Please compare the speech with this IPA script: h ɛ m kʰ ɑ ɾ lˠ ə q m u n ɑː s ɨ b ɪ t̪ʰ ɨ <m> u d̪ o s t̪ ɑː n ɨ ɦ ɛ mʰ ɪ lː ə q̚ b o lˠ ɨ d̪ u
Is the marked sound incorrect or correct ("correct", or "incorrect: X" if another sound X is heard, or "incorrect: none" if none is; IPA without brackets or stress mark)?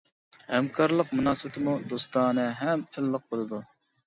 correct